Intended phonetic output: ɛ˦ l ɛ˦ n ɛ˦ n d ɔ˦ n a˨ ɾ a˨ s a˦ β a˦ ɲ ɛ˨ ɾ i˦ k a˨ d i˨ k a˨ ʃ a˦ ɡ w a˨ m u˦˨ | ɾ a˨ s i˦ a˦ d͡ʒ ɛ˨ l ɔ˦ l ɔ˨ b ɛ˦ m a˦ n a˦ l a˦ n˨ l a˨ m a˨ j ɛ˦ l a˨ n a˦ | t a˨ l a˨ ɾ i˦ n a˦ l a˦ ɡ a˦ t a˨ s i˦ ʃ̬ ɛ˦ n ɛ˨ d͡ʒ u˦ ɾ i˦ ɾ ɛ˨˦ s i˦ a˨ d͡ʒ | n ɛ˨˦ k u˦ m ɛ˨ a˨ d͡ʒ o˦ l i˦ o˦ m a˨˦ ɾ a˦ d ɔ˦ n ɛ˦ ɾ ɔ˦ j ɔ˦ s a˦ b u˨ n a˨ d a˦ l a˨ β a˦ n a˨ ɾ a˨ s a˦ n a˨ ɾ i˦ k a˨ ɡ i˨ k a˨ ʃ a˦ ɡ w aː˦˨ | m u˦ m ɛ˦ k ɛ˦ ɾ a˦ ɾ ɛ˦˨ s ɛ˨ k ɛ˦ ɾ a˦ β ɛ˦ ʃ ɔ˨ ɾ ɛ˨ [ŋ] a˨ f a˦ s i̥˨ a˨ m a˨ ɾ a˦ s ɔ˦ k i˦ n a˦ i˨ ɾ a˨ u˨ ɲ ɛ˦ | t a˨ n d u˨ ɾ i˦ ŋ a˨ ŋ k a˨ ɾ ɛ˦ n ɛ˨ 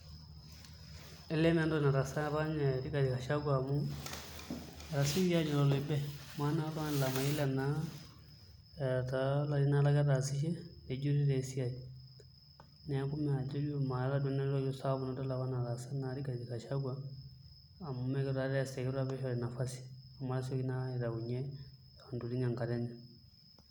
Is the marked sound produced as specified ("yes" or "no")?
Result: no